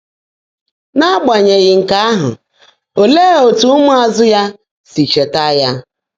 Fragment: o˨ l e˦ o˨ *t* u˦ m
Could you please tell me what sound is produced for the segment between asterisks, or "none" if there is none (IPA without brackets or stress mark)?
t